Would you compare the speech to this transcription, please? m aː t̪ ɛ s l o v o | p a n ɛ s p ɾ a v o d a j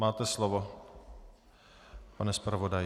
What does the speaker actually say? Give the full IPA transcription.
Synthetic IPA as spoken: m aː t̪ ɛ s l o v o | p a n ɛ s p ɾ a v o d a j